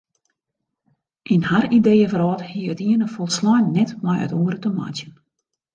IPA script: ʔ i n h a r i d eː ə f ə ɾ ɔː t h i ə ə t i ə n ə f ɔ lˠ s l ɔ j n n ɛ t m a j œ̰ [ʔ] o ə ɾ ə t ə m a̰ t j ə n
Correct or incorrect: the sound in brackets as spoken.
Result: incorrect: t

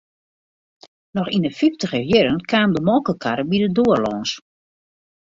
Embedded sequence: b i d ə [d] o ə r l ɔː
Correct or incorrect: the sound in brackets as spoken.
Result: correct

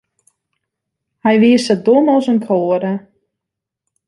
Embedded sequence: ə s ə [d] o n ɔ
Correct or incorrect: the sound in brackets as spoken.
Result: correct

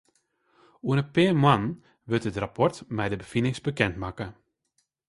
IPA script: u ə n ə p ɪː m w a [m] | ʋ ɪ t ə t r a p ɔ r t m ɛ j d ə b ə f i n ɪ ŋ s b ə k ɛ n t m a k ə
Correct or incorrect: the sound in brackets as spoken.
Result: incorrect: n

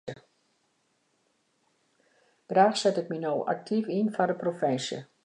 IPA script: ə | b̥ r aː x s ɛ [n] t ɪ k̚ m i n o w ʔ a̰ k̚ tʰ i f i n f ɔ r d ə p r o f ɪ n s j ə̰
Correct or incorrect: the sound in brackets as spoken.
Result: incorrect: none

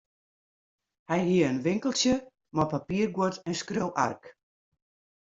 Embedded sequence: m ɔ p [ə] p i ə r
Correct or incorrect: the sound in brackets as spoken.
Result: incorrect: a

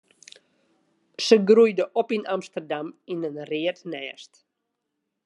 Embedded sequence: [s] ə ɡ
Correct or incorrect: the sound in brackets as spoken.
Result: correct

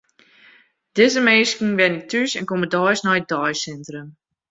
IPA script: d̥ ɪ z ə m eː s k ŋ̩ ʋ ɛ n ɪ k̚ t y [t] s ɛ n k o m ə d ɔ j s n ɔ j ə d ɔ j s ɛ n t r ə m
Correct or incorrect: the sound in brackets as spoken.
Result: incorrect: none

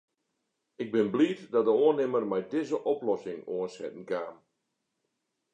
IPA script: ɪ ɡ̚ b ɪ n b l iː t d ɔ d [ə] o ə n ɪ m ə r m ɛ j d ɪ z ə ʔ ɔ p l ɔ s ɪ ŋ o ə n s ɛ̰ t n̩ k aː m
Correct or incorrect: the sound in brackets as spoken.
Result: correct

